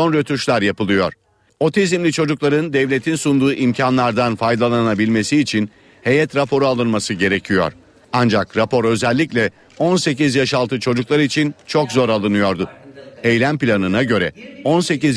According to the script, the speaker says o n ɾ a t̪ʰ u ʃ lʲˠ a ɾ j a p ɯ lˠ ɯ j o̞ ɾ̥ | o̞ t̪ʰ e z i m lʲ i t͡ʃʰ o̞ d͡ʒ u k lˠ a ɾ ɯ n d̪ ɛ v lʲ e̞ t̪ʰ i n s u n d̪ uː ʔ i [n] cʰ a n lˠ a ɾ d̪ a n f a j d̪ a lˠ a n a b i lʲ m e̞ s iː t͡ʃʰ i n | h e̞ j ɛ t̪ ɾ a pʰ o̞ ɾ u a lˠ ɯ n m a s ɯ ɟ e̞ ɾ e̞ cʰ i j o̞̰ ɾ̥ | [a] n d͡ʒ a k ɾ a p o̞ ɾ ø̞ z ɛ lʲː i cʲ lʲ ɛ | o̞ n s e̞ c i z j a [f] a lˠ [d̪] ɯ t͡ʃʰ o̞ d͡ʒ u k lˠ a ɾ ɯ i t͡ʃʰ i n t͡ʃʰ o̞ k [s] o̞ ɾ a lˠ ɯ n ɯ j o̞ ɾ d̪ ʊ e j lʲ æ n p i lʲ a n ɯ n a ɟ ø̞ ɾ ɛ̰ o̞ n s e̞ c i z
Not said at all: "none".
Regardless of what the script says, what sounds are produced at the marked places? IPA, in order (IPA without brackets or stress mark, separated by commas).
m, a, ʃ, t̪, z